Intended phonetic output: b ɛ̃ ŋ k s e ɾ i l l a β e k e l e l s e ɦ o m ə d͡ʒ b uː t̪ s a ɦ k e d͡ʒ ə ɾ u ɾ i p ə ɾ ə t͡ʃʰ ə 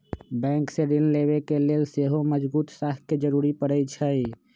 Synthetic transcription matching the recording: b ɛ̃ ŋ k s e ɾ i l l e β e k e l e l s e ɦ o m ə d͡ʒ b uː t̪ s a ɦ k e d͡ʒ ə ɾ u ɾ i p ə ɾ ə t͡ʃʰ ə